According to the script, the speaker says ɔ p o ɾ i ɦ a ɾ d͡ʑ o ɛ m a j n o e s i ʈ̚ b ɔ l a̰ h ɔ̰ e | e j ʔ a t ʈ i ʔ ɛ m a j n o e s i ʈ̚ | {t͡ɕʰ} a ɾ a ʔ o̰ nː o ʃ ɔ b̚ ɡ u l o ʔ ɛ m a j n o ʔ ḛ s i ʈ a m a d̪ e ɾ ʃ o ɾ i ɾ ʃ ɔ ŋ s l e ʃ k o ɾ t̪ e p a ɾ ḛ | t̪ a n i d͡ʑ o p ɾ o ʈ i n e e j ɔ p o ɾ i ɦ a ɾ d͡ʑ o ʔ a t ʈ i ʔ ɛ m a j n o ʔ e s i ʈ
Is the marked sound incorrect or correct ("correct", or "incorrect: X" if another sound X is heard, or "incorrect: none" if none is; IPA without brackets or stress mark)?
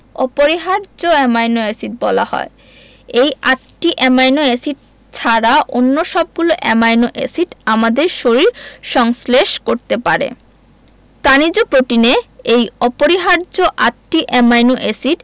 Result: correct